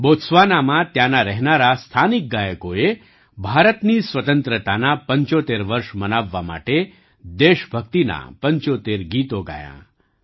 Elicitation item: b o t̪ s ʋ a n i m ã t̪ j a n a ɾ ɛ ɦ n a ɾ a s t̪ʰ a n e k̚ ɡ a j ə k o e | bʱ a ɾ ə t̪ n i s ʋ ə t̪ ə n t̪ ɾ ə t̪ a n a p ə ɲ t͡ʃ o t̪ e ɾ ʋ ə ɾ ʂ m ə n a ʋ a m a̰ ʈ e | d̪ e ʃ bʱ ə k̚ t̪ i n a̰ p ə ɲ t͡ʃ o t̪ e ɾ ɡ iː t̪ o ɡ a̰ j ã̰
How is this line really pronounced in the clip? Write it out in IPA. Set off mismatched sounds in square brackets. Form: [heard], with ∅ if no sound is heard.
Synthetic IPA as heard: b o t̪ s ʋ a n [a] m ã t̪ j a n a ɾ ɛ ɦ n a ɾ a s t̪ʰ a n [i] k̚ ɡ a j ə k o e | bʱ a ɾ ə t̪ n i s ʋ ə t̪ ə n t̪ ɾ ə t̪ a n a p ə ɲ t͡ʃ o t̪ e ɾ ʋ ə ɾ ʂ m ə n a [ʋː] a m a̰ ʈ e | d̪ e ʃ bʱ ə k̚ t̪ i n a̰ p ə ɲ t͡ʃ o t̪ e ɾ ɡ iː t̪ o ɡ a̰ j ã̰

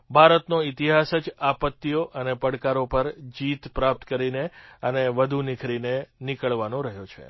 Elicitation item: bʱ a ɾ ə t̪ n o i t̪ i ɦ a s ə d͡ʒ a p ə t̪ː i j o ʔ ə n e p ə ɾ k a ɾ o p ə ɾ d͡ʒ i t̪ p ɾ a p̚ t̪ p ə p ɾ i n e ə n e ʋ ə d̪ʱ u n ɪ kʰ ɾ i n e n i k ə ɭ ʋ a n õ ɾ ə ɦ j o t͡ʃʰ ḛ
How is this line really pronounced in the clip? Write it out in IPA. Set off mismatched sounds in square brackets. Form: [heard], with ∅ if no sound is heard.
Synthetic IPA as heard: bʱ a ɾ ə t̪ n o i t̪ i ɦ a s ə d͡ʒ a p ə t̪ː i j o ʔ ə n e p ə [ɽ] k a ɾ o p ə ɾ d͡ʒ i t̪ p ɾ a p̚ t̪ [k] ə [∅] ɾ i n e ə n e ʋ ə d̪ʱ u n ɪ kʰ ɾ i n e n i k ə ɭ ʋ a n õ ɾ ə ɦ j o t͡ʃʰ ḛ

